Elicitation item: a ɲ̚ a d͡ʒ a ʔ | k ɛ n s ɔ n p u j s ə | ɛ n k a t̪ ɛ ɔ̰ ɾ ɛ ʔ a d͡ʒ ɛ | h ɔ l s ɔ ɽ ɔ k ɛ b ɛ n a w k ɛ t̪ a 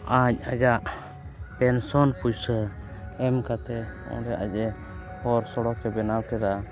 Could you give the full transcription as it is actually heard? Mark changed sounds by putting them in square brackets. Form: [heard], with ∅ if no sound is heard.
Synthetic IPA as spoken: a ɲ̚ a d͡ʒ a ʔ | [p] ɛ n s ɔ n p u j s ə | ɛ [m] k a t̪ ɛ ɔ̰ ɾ ɛ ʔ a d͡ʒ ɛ | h ɔ [ɾ] s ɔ ɽ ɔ k ɛ b ɛ n a w k ɛ [d̪] a